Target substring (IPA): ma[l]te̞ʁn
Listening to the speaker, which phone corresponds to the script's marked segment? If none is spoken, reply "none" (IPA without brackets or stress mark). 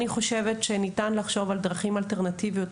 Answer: l